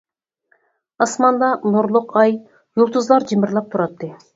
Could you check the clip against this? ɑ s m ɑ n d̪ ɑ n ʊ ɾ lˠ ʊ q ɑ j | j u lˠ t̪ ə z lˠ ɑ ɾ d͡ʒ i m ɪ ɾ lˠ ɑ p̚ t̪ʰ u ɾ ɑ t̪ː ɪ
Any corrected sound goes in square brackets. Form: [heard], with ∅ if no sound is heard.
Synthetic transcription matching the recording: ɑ s m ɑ n d̪ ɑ n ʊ ɾ lˠ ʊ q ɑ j | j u lˠ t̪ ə z lˠ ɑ ɾ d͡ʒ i m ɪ ɾ lˠ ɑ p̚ t̪ʰ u ɾ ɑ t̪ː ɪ